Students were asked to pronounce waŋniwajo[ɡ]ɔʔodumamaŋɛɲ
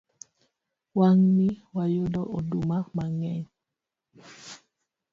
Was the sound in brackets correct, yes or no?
no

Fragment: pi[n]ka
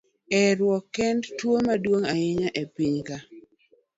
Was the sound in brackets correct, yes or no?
no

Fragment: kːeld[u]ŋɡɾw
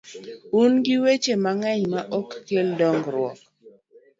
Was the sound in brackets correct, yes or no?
no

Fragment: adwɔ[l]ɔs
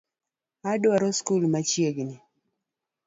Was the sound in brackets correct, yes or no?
no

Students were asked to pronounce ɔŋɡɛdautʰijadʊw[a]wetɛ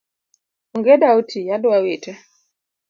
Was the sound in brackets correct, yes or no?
yes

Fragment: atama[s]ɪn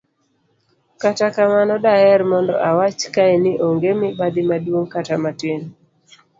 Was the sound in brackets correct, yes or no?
no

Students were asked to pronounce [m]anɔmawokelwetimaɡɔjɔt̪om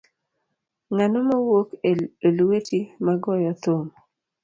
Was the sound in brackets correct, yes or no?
no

